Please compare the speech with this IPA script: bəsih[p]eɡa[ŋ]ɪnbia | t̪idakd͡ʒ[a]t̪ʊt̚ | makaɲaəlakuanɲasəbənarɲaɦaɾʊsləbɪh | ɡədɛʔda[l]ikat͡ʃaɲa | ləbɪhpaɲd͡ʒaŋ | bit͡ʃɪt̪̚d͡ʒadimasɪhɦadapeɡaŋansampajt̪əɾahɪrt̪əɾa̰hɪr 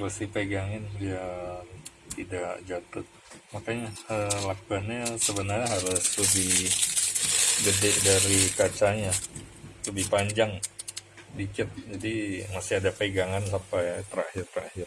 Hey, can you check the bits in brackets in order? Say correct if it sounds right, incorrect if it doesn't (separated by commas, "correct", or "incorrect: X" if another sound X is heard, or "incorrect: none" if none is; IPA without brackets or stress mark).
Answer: correct, correct, correct, incorrect: ɾ